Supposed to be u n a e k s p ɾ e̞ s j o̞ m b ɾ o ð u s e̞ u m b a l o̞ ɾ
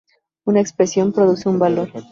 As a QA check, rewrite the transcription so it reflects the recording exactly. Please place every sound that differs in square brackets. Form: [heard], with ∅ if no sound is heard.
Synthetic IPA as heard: u n a e k s p ɾ e̞ s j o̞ m [p] ɾ o ð u s e̞ u m b a l o̞ ɾ